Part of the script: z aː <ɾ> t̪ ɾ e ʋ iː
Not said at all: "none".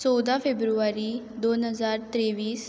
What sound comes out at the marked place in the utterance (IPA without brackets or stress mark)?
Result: ɾ